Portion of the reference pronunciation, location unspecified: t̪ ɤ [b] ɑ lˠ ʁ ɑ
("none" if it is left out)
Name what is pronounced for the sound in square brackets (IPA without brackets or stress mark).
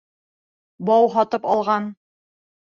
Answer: p